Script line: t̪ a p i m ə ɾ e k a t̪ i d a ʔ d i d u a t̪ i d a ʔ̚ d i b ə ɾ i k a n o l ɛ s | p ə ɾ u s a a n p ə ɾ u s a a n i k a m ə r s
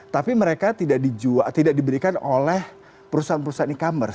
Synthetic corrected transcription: t̪ a p i m ə ɾ e k a t̪ i d a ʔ d i d͡ʒ u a t̪ i d a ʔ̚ d i b ə ɾ i k a n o l ɛ h | p ə ɾ u s a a n p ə ɾ u s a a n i k a m ə r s